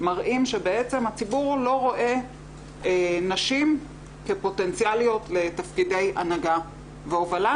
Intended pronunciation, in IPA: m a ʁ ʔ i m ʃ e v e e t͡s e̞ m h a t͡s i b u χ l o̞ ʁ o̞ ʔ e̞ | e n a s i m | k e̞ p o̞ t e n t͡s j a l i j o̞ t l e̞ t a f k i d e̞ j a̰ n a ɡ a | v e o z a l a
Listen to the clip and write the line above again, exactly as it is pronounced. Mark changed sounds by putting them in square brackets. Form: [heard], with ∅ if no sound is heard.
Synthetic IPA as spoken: m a ʁ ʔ i m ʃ e [b] e e t͡s e̞ m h a t͡s i b u [ʁ] l o̞ ʁ o̞ ʔ e̞ | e n a [ʃ] i m | k e̞ p o̞ t e n t͡s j a l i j o̞ t l e̞ t a f k i d e̞ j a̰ n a ɡ a | v e o [v] a l a